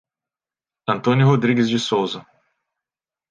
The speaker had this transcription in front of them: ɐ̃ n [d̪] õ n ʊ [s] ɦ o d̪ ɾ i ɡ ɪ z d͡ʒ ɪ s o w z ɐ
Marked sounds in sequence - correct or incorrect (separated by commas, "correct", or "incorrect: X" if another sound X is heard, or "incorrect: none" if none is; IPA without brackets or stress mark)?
incorrect: t̪, incorrect: none